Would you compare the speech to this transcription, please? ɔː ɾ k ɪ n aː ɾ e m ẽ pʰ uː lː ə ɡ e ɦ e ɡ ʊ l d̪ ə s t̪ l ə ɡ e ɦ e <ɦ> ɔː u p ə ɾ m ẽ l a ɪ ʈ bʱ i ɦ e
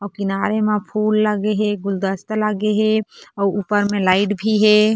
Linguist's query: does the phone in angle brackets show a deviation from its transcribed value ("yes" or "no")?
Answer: yes